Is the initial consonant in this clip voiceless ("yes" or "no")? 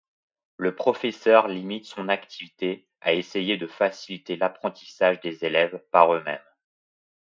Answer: no